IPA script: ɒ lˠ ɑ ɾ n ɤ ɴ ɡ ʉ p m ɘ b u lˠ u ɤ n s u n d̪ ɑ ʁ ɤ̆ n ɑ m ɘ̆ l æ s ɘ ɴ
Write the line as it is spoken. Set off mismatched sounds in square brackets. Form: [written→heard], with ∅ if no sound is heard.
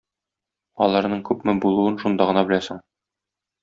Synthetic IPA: ɒ lˠ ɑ ɾ n ɤ ɴ [ɡ→k] ʉ p m ɘ b u lˠ u ɤ n [s→ʃ] u n d̪ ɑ ʁ ɤ̆ n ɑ [m→b] ɘ̆ l æ s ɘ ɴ